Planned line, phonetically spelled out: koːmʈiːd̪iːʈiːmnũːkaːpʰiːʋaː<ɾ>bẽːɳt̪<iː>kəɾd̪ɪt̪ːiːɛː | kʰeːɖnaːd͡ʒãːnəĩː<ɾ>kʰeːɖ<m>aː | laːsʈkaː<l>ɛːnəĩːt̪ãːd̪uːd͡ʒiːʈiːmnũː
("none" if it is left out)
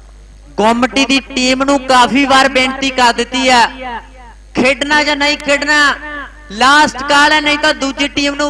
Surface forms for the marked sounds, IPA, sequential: ɾ, iː, none, n, l

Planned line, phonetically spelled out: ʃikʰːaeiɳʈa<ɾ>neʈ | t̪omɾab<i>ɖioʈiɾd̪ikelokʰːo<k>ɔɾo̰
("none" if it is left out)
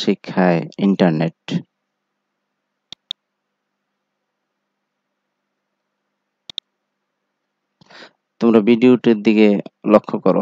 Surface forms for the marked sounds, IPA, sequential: ɾ, i, k

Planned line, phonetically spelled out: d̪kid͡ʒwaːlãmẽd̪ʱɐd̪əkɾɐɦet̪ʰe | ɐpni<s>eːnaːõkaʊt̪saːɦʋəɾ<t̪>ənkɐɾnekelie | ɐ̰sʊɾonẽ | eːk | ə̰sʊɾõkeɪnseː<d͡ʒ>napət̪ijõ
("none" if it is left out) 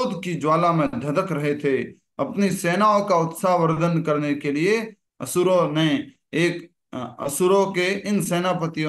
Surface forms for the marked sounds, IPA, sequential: s, d̪, none

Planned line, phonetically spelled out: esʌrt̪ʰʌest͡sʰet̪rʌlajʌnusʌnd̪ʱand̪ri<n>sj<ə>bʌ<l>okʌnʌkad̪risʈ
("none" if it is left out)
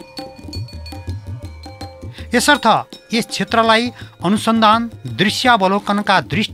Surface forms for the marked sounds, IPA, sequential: none, a, l

